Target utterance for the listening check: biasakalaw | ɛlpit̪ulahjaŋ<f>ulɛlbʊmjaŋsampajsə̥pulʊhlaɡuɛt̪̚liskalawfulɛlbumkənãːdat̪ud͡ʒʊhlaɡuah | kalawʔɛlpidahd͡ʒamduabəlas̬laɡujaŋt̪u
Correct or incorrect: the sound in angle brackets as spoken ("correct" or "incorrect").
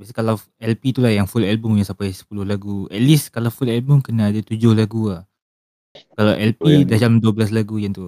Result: correct